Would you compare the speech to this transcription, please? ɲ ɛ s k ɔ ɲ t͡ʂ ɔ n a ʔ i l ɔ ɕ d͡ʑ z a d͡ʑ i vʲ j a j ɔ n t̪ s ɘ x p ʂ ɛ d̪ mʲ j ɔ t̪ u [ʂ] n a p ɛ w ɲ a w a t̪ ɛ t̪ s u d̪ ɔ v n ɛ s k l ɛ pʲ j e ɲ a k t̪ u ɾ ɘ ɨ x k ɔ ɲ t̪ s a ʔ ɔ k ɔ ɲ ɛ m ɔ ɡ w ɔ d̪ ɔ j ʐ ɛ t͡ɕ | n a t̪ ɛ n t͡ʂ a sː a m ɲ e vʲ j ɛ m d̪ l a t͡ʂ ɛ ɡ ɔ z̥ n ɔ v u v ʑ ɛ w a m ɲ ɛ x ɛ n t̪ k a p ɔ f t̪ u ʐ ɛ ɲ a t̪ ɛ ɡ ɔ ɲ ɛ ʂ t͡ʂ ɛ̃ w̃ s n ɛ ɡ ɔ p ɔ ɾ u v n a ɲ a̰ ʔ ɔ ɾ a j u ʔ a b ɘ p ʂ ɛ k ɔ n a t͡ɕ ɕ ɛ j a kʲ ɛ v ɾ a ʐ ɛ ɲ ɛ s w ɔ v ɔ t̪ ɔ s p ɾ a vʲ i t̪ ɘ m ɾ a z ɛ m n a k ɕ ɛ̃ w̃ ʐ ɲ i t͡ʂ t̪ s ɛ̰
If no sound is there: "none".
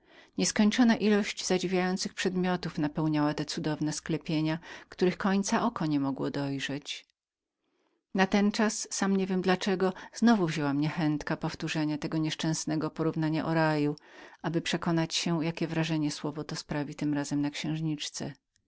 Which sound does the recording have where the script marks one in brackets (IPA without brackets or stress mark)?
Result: f